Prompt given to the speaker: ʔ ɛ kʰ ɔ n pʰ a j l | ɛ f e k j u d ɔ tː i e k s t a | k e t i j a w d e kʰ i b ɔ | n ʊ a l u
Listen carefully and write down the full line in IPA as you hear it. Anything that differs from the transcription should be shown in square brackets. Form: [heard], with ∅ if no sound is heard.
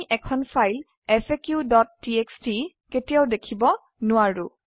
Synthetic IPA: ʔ ɛ kʰ ɔ n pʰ a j l | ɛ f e k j u d ɔ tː i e k s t [i] | k e t i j a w d e kʰ i b ɔ | n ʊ a [ɹ] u